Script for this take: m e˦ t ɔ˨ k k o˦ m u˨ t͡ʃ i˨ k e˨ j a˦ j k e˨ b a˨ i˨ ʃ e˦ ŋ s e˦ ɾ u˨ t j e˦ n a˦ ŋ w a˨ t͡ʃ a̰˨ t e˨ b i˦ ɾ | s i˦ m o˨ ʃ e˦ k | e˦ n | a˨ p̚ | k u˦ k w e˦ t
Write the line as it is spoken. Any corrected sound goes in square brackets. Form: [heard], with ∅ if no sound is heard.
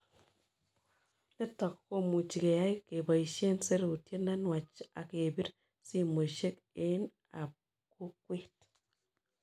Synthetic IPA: [n] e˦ t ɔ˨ k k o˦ m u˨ t͡ʃ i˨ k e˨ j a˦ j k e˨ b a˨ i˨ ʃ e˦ [n] s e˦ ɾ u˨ t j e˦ n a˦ [n] w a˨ t͡ʃ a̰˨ [k] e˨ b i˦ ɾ | s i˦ m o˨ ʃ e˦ k | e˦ n | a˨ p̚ | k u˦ k w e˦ t

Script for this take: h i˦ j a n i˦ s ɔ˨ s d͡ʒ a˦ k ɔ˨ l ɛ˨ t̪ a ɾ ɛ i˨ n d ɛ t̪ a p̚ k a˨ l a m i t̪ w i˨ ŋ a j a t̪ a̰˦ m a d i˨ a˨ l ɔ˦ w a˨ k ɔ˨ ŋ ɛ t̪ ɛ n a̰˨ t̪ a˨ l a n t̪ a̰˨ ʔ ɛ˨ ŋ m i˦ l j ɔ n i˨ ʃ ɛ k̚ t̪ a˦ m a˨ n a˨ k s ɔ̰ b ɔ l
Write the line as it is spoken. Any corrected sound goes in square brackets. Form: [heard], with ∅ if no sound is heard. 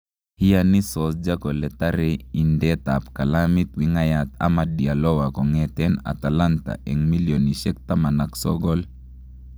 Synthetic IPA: h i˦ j a n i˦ s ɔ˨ s d͡ʒ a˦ k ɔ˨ l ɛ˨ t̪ a ɾ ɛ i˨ n d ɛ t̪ a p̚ k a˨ l a m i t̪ w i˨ ŋ a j a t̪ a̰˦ m a d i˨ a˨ l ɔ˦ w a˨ k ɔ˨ ŋ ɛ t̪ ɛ n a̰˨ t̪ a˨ l a n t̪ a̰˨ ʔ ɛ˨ ŋ m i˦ l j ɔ n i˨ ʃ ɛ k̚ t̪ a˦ m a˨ n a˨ k s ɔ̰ [ɡ] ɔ l

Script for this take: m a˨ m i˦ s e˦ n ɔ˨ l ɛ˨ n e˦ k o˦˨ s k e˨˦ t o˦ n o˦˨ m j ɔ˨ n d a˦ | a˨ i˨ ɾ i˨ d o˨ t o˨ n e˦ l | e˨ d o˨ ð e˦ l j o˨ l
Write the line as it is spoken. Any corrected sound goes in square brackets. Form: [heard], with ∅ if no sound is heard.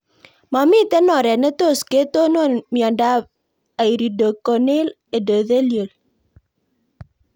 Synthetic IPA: m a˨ m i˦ [t] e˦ n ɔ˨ [ɾ] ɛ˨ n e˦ [t] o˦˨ s k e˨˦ t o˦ n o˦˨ m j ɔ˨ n d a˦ | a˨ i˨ ɾ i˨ d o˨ [k] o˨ n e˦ l | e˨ d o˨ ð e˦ l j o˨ l

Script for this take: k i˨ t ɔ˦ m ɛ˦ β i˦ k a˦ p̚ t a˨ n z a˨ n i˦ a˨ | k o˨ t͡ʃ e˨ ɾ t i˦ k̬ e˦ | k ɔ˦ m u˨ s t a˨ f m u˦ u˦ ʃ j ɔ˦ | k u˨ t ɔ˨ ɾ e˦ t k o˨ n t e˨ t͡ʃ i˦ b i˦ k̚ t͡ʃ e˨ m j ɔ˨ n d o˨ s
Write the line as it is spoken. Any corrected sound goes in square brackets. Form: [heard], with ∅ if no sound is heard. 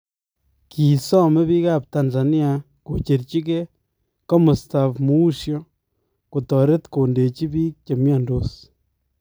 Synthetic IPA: k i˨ [s] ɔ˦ m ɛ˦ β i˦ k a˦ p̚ t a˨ n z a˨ n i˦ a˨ | k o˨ t͡ʃ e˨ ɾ [t͡ʃ] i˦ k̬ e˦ | k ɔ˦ m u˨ s t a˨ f m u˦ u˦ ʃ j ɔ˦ | k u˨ t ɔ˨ ɾ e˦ t k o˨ n [d] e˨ t͡ʃ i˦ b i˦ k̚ t͡ʃ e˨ m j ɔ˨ n d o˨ s

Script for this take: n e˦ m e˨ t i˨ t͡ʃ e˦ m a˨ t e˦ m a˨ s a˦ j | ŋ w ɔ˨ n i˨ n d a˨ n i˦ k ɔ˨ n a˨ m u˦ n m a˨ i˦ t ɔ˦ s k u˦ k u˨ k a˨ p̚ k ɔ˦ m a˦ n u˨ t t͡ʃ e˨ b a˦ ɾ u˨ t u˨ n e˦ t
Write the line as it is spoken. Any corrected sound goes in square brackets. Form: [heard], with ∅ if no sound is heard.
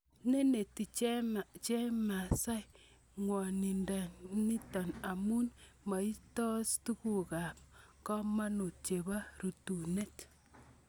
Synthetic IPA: n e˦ [n] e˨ t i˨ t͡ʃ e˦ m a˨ [t͡ʃ] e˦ m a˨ s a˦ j | ŋ w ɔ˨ n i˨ n d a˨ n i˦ [t] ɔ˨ n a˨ m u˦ n m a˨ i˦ t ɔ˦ s [t] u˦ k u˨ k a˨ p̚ k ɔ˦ m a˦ n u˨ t t͡ʃ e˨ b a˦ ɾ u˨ t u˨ n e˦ t

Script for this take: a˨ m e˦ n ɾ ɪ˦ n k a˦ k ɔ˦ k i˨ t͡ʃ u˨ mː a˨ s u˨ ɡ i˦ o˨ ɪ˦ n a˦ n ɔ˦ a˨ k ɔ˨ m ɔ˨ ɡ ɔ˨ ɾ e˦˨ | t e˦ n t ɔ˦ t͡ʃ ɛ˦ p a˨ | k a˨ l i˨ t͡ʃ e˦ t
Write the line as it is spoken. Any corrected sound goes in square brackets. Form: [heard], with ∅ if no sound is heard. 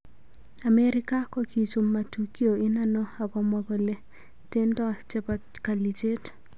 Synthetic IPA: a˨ m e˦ [∅] ɾ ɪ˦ [∅] k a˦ k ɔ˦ k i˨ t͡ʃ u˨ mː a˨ [t] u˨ [k] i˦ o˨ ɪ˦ n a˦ n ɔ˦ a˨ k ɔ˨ m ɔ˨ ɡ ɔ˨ [l] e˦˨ | t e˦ n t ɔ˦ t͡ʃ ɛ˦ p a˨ | k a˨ l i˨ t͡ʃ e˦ t

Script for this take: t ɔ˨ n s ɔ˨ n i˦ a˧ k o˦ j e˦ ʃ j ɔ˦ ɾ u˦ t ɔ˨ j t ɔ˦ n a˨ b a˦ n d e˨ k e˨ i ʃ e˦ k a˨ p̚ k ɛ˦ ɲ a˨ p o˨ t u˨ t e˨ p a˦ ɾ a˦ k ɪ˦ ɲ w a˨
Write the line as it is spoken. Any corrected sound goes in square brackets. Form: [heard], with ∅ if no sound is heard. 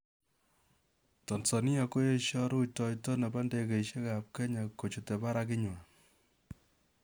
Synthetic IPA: t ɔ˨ n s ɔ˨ n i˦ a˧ k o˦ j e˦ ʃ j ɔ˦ ɾ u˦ t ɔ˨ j t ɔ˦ n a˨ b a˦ n d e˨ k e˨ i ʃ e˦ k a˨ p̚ k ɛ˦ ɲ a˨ [k] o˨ [t͡ʃ] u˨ t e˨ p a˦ ɾ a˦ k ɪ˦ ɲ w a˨

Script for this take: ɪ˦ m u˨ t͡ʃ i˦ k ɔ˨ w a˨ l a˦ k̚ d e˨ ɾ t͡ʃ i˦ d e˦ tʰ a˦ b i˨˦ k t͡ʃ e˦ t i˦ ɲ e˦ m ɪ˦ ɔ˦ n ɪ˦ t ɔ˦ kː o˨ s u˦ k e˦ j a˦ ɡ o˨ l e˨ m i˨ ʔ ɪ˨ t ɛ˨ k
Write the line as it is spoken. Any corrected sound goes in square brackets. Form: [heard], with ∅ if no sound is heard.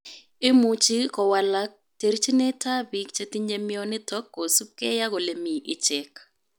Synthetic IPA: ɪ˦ m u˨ t͡ʃ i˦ k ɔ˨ w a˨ l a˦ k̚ [t] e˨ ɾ t͡ʃ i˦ [n] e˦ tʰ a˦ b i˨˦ k t͡ʃ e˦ t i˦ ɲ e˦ m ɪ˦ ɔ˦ n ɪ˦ t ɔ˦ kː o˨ s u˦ k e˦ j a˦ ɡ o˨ l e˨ m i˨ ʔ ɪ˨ [t͡ʃ] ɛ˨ k

